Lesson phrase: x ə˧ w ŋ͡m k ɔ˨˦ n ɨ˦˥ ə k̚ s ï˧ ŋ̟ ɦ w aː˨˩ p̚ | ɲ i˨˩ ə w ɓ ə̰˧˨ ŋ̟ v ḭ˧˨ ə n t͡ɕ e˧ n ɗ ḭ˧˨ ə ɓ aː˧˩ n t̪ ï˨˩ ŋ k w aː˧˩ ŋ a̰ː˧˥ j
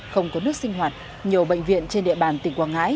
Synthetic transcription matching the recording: x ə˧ w ŋ͡m k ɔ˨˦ n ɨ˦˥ ə k̚ s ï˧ ŋ̟ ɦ w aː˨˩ t̚ | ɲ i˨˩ ə w ɓ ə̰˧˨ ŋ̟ v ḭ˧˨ ə n t͡ɕ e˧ n ɗ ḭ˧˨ ə ɓ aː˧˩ n t̪ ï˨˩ ŋ k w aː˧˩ ŋ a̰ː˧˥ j